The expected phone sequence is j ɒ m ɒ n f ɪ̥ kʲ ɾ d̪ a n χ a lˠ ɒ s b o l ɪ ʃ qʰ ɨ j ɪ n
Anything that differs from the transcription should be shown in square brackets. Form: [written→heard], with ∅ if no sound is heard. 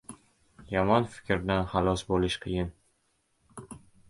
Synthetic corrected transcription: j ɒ m ɒ n f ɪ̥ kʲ ɾ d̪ a n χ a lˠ ɒ s b o l ɪ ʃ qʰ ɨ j ɪ n